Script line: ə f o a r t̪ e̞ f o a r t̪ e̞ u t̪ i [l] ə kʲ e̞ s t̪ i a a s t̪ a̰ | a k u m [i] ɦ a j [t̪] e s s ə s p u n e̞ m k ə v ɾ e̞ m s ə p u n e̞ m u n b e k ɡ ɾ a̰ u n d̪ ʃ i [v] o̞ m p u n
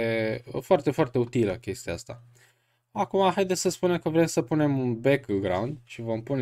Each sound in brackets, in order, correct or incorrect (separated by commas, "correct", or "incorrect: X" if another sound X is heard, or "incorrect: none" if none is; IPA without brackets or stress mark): correct, incorrect: a, incorrect: d̪, correct